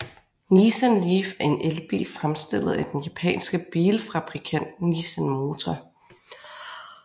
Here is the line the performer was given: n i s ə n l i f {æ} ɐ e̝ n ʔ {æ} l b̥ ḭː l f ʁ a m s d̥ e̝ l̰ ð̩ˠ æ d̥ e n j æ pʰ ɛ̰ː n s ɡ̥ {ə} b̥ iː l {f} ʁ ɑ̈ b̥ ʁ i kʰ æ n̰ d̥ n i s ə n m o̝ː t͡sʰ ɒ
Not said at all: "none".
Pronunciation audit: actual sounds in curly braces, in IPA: æ, e, ə, f

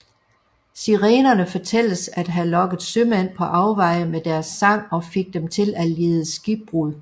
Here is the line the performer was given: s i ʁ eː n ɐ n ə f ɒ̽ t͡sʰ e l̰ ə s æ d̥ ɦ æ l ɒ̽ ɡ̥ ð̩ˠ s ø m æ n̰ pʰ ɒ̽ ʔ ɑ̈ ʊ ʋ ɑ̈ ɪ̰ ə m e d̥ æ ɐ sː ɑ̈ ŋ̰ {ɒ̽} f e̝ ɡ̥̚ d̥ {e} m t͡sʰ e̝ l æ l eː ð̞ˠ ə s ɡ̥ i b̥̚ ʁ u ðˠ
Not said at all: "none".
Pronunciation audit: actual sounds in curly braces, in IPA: ɒ̽, e

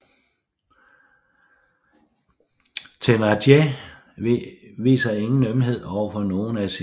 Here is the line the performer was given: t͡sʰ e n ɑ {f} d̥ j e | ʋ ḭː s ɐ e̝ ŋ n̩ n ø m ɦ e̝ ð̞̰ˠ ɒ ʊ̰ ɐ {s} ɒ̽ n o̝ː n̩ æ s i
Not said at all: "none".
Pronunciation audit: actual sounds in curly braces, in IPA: none, f

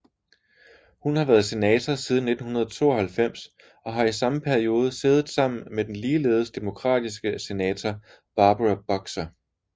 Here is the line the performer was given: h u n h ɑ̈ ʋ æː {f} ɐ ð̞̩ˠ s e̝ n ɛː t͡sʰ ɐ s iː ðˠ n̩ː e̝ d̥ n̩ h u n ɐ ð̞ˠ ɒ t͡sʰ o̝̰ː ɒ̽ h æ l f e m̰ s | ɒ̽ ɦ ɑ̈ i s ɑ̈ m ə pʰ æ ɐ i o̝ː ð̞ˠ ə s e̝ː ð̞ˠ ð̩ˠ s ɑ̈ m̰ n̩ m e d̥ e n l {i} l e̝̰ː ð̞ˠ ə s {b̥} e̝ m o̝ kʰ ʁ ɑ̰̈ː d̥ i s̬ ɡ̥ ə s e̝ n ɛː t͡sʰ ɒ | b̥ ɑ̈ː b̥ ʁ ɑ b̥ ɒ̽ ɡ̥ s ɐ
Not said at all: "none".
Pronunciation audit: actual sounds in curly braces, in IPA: none, iː, d̥

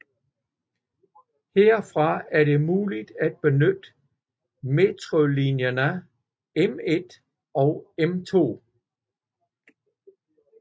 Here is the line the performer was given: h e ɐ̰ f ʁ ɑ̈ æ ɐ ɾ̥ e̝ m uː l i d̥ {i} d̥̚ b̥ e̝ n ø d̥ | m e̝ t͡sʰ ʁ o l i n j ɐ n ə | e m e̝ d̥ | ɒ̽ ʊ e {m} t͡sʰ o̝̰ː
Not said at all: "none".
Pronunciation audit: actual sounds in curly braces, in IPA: æ, m

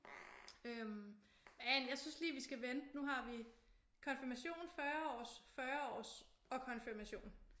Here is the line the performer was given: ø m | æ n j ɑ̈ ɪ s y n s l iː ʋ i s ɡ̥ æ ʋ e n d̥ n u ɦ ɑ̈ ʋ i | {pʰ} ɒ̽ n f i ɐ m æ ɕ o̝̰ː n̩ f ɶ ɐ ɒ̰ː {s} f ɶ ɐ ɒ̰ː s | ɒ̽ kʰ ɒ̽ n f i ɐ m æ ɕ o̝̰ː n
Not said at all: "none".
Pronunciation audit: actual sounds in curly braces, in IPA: kʰ, s

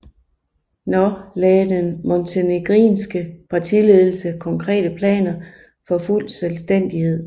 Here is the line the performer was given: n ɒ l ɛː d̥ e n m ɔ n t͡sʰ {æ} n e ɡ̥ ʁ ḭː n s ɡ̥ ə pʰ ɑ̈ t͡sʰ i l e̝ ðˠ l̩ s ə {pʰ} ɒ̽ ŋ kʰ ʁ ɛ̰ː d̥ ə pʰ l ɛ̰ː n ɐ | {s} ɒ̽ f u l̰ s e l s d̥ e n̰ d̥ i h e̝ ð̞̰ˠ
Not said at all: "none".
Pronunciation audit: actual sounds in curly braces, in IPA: e, kʰ, f

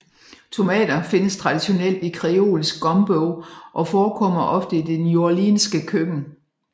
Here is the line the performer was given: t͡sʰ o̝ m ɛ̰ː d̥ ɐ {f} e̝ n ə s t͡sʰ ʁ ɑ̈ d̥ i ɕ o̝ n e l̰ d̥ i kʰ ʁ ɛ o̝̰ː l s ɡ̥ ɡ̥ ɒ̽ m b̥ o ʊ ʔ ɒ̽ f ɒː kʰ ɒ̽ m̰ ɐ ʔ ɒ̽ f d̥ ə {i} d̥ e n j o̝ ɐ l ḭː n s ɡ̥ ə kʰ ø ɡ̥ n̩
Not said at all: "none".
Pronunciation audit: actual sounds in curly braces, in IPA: f, i

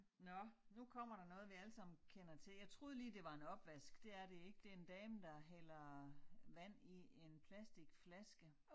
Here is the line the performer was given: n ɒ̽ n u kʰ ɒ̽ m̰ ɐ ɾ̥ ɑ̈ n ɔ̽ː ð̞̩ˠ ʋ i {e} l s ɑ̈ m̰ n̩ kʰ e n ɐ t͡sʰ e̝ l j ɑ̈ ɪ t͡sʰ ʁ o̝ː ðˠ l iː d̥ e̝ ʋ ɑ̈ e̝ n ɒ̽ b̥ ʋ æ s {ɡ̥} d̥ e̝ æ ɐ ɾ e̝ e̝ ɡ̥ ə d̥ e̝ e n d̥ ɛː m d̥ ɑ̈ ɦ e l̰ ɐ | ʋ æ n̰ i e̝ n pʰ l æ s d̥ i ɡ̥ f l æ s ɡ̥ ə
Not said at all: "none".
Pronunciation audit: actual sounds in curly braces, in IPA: æ, ɡ̥

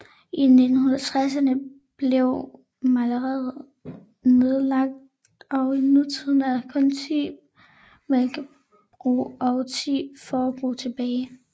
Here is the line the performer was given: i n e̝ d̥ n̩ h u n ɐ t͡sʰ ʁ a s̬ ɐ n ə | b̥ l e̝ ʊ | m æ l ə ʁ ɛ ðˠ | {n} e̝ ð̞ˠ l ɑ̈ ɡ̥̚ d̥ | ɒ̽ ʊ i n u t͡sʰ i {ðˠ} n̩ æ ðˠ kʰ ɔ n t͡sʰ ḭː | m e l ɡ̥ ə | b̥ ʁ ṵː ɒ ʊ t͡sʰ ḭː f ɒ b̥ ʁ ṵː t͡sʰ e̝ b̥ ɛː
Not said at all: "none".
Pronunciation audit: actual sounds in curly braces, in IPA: n, ðˠ

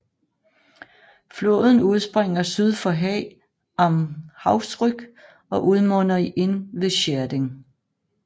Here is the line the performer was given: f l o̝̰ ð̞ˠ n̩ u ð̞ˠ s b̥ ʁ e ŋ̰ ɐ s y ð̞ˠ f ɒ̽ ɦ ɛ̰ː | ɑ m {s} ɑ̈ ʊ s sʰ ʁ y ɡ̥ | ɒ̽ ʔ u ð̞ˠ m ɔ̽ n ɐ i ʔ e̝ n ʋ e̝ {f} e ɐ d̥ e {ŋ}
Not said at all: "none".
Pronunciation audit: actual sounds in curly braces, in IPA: h, ɕ, ŋ

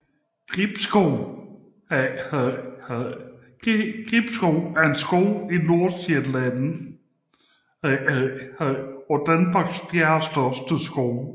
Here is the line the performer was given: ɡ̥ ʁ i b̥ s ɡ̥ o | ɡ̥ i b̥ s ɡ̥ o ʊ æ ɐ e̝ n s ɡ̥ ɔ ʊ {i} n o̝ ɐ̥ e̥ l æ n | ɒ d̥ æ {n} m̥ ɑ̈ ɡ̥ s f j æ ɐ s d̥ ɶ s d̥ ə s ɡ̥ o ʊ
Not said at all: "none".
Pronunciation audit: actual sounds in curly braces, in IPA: i, n

